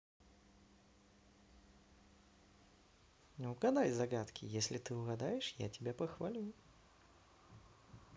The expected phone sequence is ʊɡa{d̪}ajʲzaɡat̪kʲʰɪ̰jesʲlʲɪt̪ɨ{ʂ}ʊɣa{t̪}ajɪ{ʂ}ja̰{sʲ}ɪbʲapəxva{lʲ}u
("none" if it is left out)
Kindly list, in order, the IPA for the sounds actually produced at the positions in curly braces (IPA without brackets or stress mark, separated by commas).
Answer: d̪, none, d̪, ʂ, tʲ, lʲ